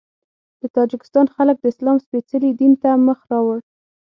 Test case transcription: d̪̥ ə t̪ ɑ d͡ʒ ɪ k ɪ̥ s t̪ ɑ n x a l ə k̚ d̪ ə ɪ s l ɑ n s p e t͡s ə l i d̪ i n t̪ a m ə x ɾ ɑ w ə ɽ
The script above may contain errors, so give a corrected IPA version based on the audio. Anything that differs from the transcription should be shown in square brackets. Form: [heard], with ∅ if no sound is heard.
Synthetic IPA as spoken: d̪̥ ə t̪ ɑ d͡ʒ ɪ k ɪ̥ s t̪ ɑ n x a l ə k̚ d̪ ə ɪ s l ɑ [m] s p e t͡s ə l i d̪ i n t̪ a m ə x ɾ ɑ w ə ɽ